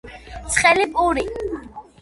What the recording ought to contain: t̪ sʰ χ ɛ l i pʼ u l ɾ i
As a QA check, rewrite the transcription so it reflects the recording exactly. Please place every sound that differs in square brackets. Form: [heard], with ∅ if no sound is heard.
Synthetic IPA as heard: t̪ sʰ χ ɛ l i pʼ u [∅] ɾ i